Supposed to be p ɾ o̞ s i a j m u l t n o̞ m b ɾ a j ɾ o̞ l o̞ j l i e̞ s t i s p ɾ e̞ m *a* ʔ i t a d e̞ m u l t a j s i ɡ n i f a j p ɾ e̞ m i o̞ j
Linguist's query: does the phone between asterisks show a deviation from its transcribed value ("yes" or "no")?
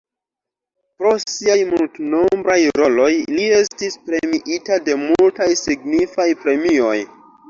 yes